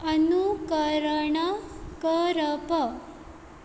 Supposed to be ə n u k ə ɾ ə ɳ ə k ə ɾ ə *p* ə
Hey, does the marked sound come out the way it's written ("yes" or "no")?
yes